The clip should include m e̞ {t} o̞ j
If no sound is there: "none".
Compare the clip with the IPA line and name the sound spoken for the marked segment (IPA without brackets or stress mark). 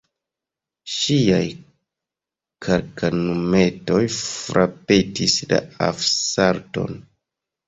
t